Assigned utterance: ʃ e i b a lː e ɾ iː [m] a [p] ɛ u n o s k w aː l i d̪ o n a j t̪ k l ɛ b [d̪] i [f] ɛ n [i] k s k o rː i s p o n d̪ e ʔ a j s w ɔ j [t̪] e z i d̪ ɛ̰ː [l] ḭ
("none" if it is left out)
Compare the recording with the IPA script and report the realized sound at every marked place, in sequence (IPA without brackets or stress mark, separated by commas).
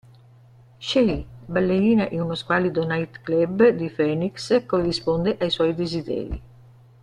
n, ʔ, d̪, f, i, d̪, ɾ